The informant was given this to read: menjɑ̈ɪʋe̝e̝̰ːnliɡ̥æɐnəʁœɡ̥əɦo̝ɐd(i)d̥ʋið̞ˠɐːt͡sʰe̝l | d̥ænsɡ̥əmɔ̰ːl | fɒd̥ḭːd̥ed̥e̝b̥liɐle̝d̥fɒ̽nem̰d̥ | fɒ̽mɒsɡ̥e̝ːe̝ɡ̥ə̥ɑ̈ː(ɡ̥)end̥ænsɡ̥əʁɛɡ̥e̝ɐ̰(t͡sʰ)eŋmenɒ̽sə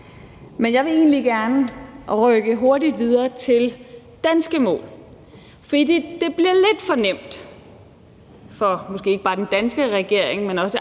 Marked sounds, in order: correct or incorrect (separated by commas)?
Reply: correct, incorrect, incorrect